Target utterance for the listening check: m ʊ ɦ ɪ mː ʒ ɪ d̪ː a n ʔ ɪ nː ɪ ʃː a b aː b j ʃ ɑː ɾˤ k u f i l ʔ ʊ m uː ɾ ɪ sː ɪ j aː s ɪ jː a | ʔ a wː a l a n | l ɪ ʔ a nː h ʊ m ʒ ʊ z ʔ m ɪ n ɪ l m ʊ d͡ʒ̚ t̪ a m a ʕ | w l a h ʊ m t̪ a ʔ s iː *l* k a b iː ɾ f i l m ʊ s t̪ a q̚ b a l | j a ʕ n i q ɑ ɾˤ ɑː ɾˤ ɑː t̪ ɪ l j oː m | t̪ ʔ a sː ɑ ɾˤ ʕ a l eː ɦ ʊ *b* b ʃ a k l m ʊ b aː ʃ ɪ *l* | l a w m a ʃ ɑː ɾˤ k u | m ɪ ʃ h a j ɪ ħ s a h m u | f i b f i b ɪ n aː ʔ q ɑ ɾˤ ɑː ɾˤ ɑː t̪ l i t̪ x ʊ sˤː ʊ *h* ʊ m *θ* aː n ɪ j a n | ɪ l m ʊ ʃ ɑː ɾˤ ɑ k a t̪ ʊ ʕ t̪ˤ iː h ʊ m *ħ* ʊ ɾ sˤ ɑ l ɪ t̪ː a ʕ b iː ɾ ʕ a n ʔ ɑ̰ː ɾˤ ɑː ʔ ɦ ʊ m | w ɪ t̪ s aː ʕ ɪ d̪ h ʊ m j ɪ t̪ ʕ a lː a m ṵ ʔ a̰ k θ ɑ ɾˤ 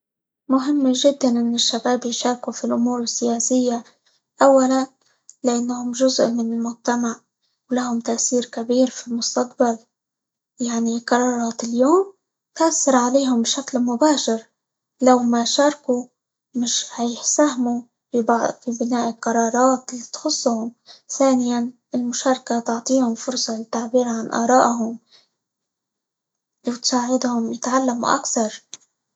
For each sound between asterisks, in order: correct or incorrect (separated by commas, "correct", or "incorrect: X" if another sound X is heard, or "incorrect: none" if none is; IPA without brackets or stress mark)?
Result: incorrect: ɾ, incorrect: m, incorrect: ɾ, correct, correct, incorrect: f